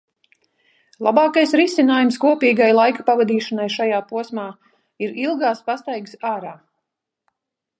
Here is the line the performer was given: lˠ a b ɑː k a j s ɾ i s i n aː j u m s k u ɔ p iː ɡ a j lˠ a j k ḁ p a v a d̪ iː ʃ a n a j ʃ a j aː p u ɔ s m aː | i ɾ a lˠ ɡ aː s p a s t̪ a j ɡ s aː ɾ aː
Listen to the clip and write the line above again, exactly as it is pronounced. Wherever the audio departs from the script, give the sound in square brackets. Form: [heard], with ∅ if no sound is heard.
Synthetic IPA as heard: lˠ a b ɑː k a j s ɾ i s i n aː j u m s k u ɔ p iː ɡ a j lˠ a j k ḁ p a v a d̪ iː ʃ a n a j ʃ a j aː p u ɔ s m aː | i ɾ [i] lˠ ɡ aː s p a s t̪ a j ɡ s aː ɾ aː